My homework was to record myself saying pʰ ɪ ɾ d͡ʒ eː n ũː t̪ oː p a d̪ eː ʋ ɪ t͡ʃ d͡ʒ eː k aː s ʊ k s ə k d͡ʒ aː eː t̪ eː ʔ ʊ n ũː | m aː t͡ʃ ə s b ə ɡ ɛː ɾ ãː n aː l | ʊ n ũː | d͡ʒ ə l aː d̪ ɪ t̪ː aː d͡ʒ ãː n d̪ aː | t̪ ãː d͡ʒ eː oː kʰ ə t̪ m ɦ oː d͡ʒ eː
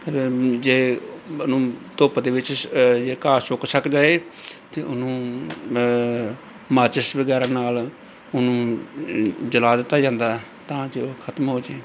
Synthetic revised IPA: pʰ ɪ ɾ d͡ʒ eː n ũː t̪ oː p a d̪ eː ʋ ɪ t͡ʃ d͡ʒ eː k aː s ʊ k s ə k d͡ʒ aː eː t̪ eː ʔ ʊ n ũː | m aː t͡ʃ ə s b ə ɡ ɛː ɾ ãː n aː l | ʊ n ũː | d͡ʒ ə l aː d̪ ɪ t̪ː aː d͡ʒ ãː n d̪ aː | t̪ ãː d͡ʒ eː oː kʰ ə t̪ m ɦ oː d͡ʒ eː